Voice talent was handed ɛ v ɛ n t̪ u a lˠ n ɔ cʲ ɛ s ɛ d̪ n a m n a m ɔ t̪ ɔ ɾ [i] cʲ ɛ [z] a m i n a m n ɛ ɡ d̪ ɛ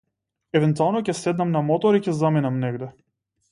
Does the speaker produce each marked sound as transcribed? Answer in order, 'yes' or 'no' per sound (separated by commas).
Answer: yes, yes